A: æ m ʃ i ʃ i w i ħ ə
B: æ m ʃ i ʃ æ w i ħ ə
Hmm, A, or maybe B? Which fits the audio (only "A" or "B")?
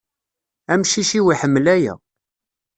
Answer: A